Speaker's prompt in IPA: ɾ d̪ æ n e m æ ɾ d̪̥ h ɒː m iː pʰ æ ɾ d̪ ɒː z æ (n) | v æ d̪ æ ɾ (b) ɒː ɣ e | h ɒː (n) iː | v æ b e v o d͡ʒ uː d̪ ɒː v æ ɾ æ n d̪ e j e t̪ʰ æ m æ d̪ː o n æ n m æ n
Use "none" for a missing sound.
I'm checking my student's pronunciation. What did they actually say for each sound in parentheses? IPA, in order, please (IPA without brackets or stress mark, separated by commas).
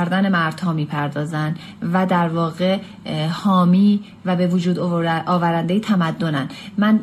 n, v, m